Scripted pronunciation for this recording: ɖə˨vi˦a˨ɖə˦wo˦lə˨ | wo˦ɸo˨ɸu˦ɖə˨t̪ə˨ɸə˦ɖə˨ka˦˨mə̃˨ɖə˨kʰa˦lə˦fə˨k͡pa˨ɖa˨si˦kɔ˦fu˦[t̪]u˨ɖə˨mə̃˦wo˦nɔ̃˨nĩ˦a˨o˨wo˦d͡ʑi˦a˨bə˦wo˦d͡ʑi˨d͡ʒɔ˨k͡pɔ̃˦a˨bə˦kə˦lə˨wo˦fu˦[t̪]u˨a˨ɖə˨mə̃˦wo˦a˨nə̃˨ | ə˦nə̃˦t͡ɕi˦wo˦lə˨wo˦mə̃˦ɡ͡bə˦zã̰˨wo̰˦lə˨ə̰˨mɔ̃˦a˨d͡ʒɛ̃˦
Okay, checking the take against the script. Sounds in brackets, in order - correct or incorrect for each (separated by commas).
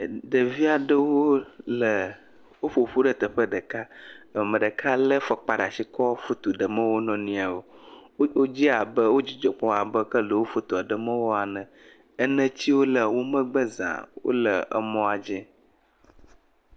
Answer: correct, correct